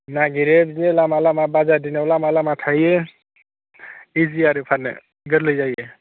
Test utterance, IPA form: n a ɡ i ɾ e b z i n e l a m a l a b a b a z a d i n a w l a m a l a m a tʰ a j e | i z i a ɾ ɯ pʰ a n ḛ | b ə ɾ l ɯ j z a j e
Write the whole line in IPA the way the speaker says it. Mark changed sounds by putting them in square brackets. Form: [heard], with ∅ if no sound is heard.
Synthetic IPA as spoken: n a ɡ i ɾ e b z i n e l a m a l a [m] a b a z a d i n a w l a m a l a m a tʰ a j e | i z i a ɾ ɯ pʰ a n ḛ | [ɡ] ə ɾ l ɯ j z a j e